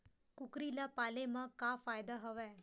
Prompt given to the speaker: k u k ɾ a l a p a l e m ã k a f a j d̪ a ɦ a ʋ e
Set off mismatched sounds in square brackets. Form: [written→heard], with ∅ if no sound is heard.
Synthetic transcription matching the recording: k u k ɾ [a→i] l a p a l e m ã k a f a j d̪ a ɦ [a→ə] ʋ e